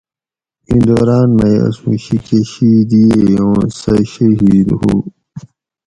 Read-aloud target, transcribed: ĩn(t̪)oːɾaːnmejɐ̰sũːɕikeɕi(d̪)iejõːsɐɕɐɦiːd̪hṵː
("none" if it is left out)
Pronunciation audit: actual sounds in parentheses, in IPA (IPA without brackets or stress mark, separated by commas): d̪, d̪